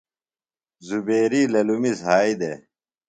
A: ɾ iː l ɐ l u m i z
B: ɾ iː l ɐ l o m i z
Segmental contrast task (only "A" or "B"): A